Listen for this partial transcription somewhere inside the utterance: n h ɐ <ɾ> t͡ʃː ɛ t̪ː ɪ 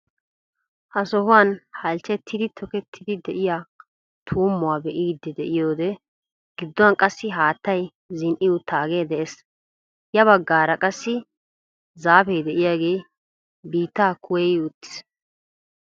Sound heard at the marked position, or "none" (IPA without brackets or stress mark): l